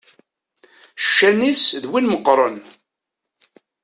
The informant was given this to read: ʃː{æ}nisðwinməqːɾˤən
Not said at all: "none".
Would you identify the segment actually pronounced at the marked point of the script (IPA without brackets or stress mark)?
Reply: æ